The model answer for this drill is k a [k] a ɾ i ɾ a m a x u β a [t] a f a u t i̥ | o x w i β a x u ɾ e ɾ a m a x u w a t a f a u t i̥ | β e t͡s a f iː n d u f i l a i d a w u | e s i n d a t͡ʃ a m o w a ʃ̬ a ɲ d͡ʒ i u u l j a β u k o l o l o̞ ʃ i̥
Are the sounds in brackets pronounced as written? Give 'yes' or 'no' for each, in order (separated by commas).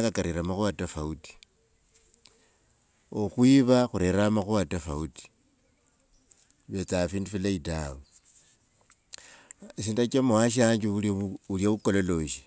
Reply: yes, yes